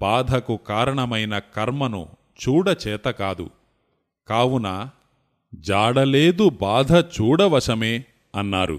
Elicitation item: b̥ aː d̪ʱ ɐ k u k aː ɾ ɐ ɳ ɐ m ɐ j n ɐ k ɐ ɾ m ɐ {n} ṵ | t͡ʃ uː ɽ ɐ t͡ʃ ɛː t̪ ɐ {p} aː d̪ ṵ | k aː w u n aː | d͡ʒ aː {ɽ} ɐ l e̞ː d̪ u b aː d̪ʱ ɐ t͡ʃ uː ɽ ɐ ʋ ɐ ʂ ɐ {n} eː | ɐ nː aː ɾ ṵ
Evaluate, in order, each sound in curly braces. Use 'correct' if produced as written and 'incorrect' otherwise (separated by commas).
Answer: correct, incorrect, correct, incorrect